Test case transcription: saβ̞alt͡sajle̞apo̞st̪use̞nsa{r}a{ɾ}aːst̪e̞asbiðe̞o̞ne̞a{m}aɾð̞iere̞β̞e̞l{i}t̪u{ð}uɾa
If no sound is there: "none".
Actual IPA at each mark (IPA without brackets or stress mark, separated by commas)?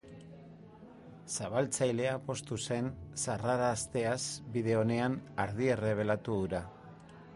r, ɾ, n, a, ð